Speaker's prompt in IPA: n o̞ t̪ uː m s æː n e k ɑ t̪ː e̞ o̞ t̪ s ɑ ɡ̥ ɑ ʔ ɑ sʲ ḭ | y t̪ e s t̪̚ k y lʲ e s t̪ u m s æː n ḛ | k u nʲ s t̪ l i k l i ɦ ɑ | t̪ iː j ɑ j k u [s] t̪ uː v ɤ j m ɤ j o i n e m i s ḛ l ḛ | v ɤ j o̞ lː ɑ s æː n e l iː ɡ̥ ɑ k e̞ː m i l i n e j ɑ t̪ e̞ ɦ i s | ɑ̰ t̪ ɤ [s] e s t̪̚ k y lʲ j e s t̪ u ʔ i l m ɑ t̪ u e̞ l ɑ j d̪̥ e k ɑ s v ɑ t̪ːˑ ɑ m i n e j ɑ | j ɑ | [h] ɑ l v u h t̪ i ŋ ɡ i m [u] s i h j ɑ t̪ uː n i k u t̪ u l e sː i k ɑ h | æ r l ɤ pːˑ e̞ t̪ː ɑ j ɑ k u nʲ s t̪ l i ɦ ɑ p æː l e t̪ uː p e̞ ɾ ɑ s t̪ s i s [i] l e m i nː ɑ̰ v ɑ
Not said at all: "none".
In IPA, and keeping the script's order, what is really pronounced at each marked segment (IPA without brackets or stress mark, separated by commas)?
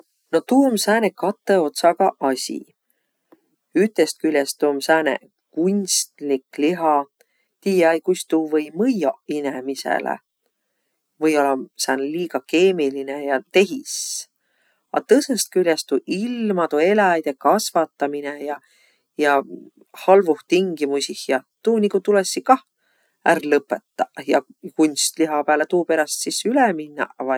s, s, h, u, y